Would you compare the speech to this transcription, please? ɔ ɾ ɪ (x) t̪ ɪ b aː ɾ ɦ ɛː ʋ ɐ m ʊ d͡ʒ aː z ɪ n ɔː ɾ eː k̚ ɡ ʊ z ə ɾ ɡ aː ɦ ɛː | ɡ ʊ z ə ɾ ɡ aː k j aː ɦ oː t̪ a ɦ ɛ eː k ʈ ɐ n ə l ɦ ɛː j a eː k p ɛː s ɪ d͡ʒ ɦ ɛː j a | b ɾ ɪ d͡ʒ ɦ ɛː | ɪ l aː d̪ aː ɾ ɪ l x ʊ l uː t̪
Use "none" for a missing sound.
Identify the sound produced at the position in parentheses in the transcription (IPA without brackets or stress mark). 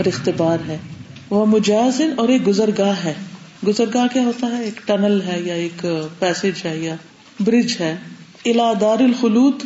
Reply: x